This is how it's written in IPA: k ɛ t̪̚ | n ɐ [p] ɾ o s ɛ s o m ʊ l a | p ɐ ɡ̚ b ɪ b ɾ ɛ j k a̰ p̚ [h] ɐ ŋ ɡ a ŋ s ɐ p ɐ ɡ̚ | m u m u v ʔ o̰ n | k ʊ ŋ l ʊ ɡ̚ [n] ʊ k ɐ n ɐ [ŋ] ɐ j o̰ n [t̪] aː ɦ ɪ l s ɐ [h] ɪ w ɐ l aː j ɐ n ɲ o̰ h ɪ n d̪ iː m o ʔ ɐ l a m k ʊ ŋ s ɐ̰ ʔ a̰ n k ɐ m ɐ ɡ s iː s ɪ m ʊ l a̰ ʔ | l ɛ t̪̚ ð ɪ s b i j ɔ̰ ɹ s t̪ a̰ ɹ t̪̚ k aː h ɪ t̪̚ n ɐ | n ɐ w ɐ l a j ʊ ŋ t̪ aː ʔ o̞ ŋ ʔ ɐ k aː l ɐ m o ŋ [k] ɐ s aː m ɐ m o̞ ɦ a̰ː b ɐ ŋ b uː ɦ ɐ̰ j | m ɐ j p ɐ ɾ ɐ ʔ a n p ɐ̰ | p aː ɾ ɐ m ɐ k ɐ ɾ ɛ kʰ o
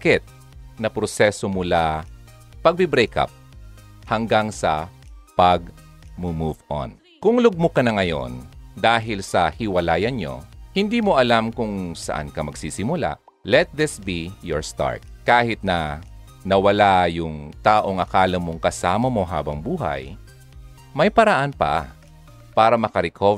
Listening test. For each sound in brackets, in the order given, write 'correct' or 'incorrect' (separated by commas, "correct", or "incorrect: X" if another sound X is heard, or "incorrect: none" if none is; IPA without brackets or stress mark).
correct, correct, incorrect: m, correct, incorrect: d̪, correct, correct